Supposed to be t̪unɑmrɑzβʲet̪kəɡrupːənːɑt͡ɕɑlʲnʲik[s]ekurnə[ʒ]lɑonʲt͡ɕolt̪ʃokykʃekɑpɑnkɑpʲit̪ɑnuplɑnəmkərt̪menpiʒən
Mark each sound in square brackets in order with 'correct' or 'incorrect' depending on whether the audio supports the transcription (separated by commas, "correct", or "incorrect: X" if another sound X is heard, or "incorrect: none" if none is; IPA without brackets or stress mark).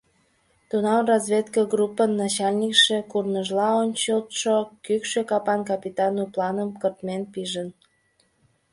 incorrect: ʃ, correct